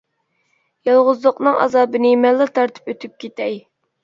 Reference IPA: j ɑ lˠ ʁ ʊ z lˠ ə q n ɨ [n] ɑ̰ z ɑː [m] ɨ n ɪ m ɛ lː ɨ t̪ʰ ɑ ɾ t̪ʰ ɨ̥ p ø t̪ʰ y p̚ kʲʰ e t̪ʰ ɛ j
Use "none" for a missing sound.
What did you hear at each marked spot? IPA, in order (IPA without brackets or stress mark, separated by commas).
ŋ, b